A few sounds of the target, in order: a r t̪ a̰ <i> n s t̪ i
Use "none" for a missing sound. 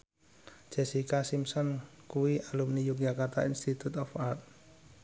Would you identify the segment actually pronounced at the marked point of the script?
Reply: i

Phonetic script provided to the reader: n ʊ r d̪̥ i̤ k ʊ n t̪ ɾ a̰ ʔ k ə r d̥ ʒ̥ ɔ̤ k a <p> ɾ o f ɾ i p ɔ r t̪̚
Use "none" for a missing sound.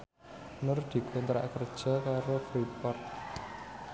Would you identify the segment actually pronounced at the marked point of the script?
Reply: none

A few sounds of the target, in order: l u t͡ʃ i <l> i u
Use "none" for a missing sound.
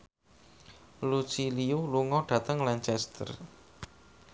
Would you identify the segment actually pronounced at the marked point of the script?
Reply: l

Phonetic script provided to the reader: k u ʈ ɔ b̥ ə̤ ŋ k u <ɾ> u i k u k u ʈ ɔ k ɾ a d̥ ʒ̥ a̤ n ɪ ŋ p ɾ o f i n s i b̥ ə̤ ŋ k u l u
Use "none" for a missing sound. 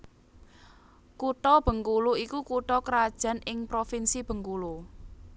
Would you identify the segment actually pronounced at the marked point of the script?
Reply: l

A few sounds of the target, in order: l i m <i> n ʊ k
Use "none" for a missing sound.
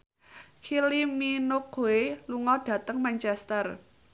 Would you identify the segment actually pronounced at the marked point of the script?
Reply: i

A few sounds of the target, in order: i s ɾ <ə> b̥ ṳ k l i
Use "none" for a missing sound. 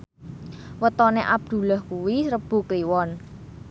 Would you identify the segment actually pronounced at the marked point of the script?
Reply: ə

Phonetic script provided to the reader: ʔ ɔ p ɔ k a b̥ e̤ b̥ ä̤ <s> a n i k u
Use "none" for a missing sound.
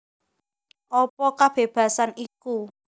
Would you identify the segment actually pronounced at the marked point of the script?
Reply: s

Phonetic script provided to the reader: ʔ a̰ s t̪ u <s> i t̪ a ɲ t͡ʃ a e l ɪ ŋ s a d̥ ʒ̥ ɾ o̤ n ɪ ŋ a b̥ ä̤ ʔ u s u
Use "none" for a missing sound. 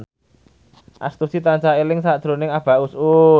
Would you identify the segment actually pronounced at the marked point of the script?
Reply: s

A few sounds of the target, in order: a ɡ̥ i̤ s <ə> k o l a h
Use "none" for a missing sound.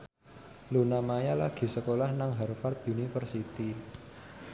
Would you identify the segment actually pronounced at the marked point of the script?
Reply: ə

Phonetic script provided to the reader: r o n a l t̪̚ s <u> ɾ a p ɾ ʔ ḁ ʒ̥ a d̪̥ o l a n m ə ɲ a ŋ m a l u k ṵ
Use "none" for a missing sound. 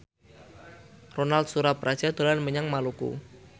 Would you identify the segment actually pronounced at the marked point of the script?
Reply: u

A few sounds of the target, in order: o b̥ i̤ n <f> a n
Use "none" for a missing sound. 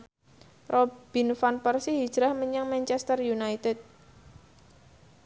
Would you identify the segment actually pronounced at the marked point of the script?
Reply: f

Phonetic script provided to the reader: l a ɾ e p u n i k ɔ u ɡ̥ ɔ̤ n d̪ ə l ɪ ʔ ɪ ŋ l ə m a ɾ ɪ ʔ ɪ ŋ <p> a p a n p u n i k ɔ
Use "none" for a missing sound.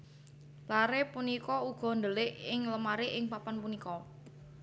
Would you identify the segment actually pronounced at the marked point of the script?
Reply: p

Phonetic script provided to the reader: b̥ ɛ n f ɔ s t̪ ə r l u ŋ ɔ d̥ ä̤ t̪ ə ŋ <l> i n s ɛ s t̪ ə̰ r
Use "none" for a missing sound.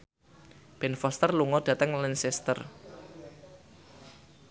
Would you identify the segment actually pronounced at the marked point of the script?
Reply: l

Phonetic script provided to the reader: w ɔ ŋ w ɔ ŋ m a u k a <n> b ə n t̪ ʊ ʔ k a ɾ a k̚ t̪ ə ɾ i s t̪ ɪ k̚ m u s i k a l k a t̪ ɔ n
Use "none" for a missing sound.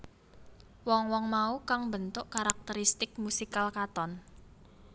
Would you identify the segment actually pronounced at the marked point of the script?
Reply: ŋ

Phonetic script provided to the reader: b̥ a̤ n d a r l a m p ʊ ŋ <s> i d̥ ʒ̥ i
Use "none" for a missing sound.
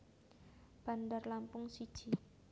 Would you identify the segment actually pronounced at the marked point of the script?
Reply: s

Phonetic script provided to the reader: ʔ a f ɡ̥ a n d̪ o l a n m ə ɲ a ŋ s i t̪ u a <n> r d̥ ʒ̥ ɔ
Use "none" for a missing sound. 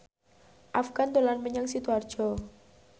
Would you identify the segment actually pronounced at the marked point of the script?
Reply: none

